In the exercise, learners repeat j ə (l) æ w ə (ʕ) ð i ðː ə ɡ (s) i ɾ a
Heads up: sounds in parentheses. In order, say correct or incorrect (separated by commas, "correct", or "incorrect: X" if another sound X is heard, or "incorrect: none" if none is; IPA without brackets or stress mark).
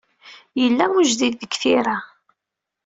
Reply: incorrect: lː, incorrect: ʒ, incorrect: θ